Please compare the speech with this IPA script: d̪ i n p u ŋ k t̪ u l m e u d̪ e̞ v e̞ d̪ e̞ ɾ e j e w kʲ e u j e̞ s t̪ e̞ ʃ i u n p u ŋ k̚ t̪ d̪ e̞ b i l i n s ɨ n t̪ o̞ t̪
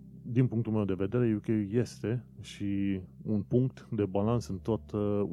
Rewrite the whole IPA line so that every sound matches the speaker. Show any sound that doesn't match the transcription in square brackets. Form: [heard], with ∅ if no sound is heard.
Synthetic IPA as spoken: d̪ i n p u ŋ k t̪ u l m e [w] d̪ e̞ v e̞ d̪ e̞ ɾ e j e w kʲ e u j e̞ s t̪ e̞ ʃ i u n p u ŋ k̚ t̪ d̪ e̞ b [a] l [a] n s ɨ n t̪ o̞ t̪